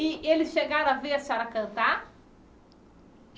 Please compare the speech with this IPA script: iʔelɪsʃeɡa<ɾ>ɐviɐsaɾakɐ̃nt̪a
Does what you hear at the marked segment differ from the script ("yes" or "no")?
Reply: no